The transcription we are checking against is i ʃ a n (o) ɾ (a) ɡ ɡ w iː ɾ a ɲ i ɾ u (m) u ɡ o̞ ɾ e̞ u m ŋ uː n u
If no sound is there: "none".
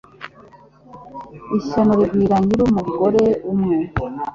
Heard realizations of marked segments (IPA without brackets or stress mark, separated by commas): o, i, m